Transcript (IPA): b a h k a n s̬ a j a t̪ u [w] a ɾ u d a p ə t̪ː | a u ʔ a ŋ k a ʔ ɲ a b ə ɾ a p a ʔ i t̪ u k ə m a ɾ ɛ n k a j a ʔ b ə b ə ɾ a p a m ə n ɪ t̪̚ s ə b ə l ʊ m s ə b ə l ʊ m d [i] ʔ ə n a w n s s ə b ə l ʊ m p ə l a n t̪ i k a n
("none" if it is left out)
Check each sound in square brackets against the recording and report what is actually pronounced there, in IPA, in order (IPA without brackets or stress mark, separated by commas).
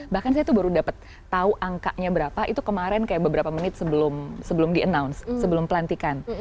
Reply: b, i